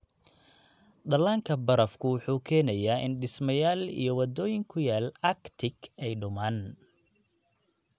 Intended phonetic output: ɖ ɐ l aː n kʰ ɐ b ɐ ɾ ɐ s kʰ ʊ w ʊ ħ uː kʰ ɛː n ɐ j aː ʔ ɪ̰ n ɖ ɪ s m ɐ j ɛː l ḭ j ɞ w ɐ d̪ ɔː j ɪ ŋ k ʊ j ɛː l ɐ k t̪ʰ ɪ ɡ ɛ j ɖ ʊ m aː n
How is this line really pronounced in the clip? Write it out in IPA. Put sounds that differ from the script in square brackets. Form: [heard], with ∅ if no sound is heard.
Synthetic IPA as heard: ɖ ɐ l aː [ŋ] kʰ ɐ b ɐ ɾ ɐ [f] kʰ ʊ w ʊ ħ uː kʰ ɛː n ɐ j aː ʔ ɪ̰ n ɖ ɪ s m ɐ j [aː] l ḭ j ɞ w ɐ d̪ ɔː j ɪ ŋ [kʰ] ʊ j [aː] l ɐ k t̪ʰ ɪ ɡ ɛ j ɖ ʊ m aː n